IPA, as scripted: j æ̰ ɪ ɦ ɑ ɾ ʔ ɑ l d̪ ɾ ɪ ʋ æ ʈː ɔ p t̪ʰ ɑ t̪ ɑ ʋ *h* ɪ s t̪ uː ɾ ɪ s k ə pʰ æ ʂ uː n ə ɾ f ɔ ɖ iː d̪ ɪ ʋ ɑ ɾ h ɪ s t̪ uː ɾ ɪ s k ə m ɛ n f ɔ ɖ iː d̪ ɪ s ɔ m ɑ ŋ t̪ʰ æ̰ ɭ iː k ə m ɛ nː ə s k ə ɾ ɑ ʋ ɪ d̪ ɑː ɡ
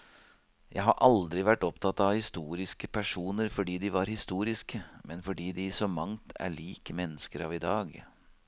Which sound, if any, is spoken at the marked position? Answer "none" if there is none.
h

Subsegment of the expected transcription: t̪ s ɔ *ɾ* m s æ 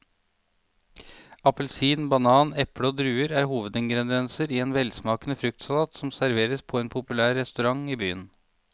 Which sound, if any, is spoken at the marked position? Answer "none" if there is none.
none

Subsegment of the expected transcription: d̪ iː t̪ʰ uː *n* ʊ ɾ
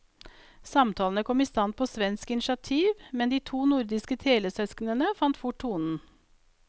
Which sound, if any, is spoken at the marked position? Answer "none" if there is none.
n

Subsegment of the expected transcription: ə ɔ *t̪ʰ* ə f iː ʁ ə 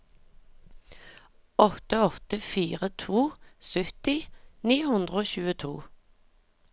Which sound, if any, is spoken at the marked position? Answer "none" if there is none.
t̪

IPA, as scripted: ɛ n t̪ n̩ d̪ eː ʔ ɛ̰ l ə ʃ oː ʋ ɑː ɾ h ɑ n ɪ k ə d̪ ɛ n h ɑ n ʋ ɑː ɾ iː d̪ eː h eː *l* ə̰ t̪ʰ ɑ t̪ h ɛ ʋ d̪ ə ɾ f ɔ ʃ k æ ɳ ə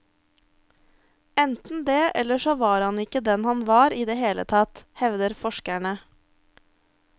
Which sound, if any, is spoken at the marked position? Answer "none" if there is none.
l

